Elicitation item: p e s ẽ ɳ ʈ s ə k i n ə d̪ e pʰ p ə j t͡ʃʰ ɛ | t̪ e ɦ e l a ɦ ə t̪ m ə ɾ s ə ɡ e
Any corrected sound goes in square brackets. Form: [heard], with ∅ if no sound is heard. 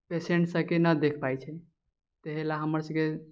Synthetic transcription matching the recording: p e s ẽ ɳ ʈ s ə k [e] n ə d̪ e [kʰ] p [a] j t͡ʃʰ ɛ | t̪ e ɦ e l a ɦ ə [∅] m ə ɾ s ə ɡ e